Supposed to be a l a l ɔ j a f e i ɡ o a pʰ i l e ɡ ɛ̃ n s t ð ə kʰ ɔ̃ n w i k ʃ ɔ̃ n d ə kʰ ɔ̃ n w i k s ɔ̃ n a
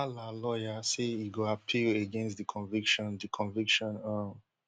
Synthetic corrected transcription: a l a l ɔ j a s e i ɡ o a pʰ i l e ɡ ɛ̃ n s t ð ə kʰ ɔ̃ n v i k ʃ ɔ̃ n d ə kʰ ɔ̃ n v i k ʃ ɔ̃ n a